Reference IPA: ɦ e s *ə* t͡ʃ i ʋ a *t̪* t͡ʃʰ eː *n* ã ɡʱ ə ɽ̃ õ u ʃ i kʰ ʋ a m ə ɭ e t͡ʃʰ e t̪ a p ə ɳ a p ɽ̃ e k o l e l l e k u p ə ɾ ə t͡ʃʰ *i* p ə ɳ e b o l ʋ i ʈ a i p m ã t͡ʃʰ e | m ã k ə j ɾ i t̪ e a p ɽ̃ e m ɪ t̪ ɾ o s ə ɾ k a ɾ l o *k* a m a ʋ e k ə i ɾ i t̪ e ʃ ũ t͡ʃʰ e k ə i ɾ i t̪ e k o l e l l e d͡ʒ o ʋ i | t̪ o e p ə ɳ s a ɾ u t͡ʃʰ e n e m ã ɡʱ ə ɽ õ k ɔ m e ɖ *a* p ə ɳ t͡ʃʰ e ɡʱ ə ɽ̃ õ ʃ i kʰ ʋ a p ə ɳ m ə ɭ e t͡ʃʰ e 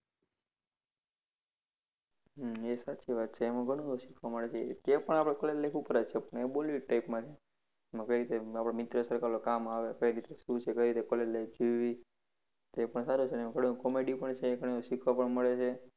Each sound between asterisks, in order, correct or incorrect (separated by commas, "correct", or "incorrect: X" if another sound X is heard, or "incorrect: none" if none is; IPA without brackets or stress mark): incorrect: a, correct, incorrect: m, incorrect: e, correct, incorrect: i